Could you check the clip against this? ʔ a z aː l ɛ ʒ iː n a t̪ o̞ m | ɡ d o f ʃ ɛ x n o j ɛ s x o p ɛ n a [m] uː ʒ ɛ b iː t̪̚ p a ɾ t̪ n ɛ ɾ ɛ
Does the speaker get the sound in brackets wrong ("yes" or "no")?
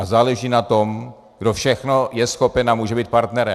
no